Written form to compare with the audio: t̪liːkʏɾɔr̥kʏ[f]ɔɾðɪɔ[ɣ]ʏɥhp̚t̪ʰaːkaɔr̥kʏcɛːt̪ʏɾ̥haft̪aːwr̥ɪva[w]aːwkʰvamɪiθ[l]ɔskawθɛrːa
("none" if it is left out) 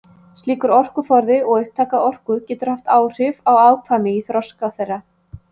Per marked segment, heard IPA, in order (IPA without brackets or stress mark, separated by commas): f, ɣ, w, ɾ